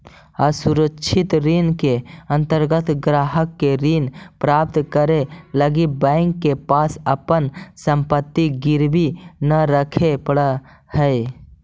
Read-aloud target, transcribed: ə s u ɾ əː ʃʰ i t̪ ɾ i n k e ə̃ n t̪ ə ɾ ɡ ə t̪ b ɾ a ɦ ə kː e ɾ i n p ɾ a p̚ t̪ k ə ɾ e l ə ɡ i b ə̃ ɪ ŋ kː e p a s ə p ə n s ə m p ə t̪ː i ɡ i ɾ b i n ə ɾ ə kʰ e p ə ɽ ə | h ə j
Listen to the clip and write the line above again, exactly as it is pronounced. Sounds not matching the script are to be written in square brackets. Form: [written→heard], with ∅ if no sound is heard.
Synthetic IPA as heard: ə s u ɾ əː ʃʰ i t̪ ɾ i n k e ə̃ n t̪ ə ɾ ɡ ə t̪ [b→ɡ] ɾ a ɦ ə kː e ɾ i n p ɾ a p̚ t̪ k ə ɾ e l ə ɡ i b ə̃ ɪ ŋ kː e p a s ə p ə n s ə m p ə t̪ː i ɡ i ɾ b i n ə ɾ ə kʰ e p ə ɽ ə | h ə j